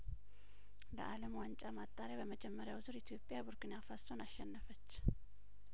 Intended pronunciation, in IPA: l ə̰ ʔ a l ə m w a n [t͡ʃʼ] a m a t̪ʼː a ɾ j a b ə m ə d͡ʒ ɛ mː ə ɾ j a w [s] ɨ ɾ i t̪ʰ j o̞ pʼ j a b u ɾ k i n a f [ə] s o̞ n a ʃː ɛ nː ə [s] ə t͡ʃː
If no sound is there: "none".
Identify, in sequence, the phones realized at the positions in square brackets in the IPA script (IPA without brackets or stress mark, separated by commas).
t͡ʃʼ, z, a, f